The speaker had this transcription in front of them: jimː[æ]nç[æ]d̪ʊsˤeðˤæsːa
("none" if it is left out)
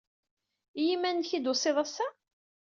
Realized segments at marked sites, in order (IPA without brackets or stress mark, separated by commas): æ, i